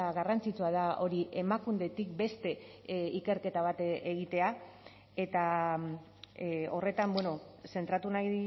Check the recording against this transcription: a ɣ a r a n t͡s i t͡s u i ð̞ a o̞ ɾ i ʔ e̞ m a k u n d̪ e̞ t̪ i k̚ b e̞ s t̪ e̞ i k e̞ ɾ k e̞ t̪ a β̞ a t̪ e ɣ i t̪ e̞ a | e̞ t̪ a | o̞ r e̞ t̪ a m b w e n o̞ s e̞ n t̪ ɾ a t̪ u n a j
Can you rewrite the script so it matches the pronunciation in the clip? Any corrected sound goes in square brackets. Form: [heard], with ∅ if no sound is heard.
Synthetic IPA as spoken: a ɣ a r a n t͡s i t͡s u [a] ð̞ a o̞ ɾ i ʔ e̞ m a k u n d̪ e̞ t̪ i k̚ b e̞ s t̪ e̞ i k e̞ ɾ k e̞ t̪ a β̞ a t̪ e ɣ i t̪ e̞ a | e̞ t̪ a | o̞ r e̞ t̪ a m b w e n o̞ s e̞ n t̪ ɾ a t̪ u n a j